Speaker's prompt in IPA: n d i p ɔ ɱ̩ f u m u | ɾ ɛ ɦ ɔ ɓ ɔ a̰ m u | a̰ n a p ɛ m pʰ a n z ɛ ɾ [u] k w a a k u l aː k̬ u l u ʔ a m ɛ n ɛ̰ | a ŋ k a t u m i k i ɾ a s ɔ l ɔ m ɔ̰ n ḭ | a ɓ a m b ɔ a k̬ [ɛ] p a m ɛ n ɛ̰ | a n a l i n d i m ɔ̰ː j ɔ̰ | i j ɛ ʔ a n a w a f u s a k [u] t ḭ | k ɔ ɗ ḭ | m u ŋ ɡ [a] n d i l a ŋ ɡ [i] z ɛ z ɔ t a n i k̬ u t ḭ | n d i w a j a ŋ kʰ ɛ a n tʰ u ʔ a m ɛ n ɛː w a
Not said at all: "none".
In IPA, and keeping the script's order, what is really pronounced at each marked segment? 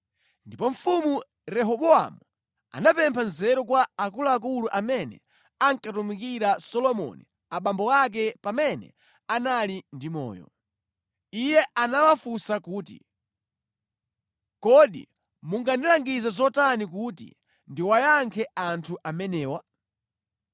ɔ, ɛ, uː, a, i

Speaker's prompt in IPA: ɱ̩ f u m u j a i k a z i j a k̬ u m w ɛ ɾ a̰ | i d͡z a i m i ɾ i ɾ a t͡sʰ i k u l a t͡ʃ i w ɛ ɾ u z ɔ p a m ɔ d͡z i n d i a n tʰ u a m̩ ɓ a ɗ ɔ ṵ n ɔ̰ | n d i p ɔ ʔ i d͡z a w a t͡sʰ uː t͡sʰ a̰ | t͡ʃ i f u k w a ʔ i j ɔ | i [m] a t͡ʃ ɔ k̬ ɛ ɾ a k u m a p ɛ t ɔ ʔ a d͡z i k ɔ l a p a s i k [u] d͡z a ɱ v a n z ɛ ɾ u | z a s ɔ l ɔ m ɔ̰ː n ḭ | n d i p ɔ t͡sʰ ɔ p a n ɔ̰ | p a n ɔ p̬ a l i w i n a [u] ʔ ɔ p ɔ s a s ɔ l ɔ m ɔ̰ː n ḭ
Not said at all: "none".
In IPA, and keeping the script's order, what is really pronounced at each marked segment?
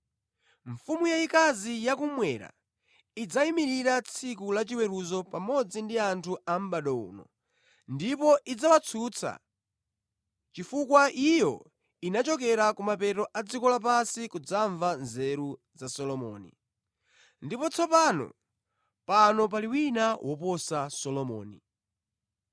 n, u, w

